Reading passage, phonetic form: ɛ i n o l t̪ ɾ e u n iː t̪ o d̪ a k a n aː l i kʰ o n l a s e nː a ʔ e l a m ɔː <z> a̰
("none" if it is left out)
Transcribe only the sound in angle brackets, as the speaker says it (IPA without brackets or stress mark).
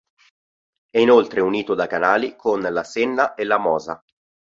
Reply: z